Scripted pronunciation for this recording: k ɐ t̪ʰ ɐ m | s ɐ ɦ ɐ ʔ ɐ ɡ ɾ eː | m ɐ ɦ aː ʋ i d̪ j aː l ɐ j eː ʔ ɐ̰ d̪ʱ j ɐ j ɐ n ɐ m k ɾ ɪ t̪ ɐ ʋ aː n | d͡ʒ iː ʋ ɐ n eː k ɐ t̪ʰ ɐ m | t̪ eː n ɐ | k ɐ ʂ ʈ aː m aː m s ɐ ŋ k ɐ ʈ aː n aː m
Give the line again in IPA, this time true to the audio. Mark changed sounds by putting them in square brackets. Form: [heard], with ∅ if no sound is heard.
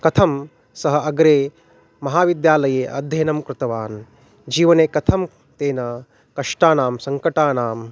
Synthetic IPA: k ɐ t̪ʰ ɐ m | s ɐ ɦ ɐ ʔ ɐ ɡ ɾ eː | m ɐ ɦ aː ʋ i d̪ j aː l ɐ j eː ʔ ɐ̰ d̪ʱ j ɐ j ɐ n ɐ m k ɾ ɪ t̪ ɐ ʋ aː n | d͡ʒ iː ʋ ɐ n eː k ɐ t̪ʰ ɐ m | t̪ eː n ɐ | k ɐ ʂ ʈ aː [n] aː m s ɐ ŋ k ɐ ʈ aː n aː m